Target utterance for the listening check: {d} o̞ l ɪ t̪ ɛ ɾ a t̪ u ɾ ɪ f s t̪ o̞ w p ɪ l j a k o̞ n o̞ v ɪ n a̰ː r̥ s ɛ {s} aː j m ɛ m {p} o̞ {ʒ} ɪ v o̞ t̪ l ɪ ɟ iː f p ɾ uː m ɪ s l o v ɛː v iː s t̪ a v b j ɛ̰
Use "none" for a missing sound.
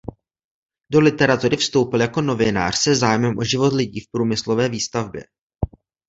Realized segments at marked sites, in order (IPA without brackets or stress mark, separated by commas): d, z, ʔ, ʒ